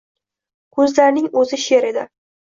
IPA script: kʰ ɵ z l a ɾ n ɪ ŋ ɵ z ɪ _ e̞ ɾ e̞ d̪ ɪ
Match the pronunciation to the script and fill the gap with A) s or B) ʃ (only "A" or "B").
B